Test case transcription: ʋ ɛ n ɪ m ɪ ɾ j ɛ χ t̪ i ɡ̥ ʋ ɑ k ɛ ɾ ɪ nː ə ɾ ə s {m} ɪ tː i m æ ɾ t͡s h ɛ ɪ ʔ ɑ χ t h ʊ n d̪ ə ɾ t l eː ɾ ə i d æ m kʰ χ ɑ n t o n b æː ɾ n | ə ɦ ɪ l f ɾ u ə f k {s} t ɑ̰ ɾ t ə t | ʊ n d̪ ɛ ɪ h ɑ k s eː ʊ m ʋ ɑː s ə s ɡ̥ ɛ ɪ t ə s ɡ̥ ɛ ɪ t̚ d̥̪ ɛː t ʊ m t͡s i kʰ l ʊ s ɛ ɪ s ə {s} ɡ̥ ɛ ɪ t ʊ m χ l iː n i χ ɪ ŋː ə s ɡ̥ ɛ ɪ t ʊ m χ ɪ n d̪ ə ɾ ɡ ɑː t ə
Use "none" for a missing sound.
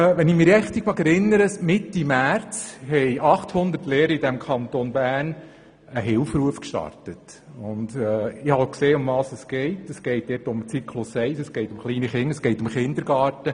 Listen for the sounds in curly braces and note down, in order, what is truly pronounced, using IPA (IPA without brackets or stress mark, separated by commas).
m, ʃ, s